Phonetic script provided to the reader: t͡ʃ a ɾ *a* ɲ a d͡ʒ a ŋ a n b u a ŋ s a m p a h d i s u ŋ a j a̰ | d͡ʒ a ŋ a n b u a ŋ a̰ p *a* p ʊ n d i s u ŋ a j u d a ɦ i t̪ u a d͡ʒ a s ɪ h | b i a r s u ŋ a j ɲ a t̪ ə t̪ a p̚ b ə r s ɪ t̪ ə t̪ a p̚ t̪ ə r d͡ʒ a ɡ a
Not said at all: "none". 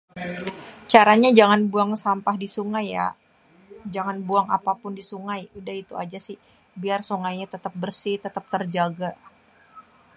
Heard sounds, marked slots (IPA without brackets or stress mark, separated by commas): a, a